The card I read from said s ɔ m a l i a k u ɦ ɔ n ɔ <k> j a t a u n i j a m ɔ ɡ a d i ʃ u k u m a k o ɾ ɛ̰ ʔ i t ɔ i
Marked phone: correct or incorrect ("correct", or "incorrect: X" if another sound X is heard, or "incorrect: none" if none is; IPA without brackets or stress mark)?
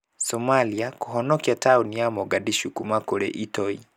correct